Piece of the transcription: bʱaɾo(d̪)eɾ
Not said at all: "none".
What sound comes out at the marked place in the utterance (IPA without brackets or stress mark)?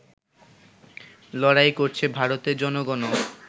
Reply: t̪